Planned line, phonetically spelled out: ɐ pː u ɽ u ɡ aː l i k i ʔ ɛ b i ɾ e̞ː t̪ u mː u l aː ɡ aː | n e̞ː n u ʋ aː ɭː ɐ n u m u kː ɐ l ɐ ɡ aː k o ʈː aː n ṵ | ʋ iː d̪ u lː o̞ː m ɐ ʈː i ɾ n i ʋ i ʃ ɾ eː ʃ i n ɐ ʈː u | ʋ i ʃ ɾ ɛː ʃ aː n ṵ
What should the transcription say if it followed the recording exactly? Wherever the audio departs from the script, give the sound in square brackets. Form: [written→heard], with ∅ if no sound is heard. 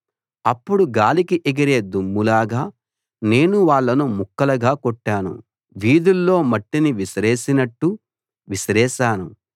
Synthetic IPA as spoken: ɐ pː u ɽ u ɡ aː l i k i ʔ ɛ [b→ɡ] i ɾ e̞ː [t̪→d̪] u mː u l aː ɡ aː | n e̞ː n u ʋ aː ɭː ɐ n u m u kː ɐ l ɐ ɡ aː k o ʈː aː n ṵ | ʋ iː d̪ u lː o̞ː m ɐ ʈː i [ɾ→∅] n i ʋ i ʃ ɾ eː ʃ i n ɐ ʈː u | ʋ i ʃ ɾ ɛː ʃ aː n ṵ